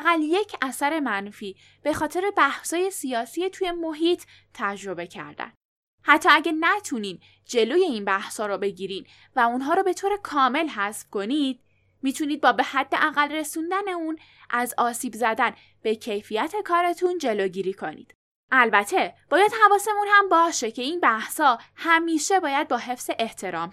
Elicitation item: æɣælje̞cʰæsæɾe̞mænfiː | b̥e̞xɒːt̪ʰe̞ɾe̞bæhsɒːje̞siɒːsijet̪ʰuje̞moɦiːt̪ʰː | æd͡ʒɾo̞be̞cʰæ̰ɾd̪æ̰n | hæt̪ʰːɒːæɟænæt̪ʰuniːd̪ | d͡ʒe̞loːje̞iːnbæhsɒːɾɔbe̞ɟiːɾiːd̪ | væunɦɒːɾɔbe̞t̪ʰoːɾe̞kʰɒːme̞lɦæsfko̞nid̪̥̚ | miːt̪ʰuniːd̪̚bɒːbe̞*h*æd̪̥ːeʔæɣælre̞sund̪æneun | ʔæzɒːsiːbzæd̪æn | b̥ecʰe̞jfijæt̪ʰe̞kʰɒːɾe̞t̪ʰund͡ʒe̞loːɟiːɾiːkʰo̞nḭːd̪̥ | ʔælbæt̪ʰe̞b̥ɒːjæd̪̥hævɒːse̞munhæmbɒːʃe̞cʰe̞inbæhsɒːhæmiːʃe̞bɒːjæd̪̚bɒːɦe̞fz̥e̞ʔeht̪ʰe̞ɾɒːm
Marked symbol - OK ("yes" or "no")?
yes